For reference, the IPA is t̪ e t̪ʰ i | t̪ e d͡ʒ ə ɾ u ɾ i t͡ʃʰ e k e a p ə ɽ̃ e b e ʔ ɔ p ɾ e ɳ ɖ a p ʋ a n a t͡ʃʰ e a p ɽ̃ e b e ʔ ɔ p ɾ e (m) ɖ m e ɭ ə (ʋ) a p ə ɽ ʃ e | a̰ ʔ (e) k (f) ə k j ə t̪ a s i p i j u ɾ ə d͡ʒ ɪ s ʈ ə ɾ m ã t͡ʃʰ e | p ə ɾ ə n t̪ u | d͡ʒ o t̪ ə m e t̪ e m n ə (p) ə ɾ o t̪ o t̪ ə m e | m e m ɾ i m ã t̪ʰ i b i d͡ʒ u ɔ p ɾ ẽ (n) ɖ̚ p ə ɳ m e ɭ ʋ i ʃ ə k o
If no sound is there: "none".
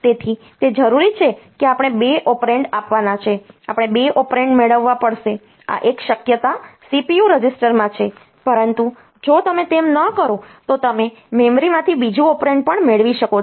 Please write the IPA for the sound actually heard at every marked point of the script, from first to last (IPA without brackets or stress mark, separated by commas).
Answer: ɳ, ʋː, e, ʃ, k, ɳ